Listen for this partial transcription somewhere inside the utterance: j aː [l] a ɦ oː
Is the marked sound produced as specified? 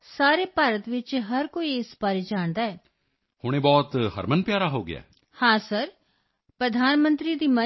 no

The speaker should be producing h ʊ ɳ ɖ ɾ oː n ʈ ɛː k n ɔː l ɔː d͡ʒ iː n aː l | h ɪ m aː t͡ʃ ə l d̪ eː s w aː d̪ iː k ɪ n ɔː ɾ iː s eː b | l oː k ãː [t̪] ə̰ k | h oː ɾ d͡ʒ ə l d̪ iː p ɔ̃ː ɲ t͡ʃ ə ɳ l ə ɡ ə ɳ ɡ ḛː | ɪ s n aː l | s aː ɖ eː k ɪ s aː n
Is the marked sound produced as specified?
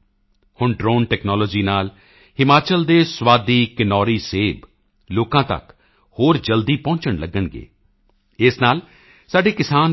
yes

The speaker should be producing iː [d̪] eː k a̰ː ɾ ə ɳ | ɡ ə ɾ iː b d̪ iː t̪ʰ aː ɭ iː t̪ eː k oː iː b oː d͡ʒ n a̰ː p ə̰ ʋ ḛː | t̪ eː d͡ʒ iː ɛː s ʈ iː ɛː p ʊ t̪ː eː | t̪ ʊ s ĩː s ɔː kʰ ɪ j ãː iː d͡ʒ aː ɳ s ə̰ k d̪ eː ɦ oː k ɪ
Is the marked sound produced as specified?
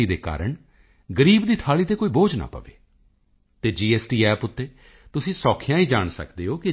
yes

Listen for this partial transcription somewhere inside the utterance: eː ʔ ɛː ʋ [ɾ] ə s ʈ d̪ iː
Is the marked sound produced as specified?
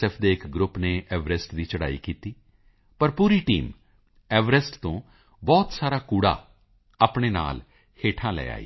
yes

